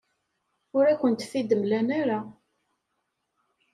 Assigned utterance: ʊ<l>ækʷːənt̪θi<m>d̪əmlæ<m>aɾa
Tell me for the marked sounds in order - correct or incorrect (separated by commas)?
incorrect, incorrect, incorrect